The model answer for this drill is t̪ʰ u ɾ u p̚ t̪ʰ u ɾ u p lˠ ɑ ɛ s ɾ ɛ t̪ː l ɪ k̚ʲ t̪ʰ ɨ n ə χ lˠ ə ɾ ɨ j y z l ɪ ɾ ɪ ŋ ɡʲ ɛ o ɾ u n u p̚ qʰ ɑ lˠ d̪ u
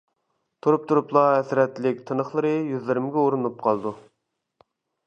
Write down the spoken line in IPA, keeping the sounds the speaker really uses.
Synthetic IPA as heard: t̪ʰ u ɾ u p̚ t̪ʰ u ɾ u p lˠ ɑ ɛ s ɾ ɛ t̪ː l ɪ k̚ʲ t̪ʰ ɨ n ə χ lˠ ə ɾ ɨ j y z l ɪ ɾ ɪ m ɡʲ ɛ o ɾ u n u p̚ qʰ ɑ lˠ d̪ u